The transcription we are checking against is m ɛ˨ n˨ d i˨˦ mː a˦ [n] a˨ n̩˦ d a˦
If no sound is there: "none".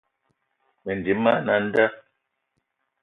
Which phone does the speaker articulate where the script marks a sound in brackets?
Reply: n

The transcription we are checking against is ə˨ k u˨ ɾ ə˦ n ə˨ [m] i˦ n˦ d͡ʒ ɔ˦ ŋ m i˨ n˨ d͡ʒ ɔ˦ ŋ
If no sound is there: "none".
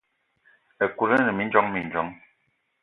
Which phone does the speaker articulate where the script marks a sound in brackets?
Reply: m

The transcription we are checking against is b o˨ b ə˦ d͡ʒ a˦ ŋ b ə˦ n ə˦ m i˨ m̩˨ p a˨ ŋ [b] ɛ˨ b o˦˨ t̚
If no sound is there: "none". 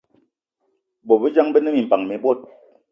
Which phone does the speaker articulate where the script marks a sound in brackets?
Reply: m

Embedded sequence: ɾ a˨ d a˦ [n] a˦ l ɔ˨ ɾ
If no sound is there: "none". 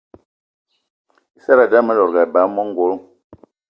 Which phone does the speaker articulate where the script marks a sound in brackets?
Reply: m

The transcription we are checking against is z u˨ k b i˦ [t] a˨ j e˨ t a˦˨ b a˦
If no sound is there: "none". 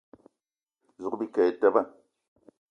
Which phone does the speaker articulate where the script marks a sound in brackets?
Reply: k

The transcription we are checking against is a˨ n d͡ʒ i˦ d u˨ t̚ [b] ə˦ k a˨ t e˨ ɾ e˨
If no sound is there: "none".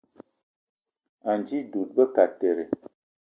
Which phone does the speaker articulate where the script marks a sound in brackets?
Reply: b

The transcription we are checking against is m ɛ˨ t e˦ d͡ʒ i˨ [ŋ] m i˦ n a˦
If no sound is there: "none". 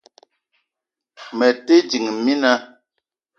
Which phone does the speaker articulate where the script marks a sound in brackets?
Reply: ŋ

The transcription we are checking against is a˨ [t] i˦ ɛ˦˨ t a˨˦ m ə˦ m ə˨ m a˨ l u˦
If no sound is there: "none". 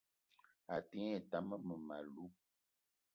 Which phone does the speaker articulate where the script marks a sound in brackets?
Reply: t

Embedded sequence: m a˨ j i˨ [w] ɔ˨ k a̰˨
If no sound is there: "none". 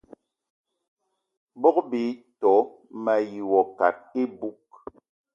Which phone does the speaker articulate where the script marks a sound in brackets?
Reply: w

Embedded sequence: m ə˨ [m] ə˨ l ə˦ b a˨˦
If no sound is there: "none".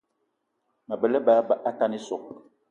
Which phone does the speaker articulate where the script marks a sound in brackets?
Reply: b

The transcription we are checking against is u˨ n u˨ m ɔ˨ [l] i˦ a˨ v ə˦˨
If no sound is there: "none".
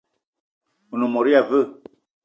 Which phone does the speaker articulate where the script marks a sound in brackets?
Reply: ɾ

